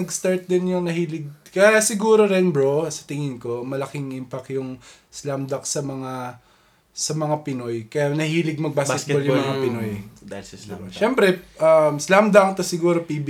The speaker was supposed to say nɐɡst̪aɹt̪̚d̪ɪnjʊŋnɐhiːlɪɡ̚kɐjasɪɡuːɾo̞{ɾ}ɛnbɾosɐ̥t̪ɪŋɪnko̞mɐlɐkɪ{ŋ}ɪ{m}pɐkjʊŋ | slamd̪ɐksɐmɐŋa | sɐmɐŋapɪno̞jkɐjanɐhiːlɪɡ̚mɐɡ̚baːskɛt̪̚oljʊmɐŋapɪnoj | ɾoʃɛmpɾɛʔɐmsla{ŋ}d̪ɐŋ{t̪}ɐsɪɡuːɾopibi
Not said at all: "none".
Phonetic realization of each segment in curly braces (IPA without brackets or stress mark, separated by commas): ɾ, ŋ, m, m, t̪